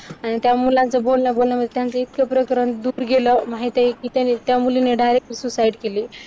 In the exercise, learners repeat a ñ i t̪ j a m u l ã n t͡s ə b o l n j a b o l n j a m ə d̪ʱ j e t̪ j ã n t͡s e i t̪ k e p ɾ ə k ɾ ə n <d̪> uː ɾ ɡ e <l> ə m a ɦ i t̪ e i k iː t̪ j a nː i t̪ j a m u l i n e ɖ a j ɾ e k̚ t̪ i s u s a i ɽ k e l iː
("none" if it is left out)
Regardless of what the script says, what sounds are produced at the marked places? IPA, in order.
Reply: d̪, l

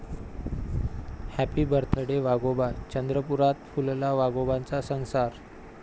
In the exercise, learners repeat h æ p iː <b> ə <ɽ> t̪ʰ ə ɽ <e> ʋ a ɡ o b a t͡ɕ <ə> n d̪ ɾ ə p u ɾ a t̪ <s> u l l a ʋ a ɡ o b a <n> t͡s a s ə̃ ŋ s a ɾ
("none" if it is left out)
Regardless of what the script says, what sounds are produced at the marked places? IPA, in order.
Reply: b, ɾ, e, ə, f, n

